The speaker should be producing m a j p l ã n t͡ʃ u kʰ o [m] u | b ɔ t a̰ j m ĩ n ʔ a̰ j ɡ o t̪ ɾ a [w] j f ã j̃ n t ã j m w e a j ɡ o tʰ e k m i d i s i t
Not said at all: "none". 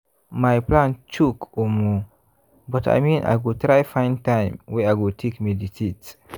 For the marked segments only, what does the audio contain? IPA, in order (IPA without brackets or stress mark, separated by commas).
m, none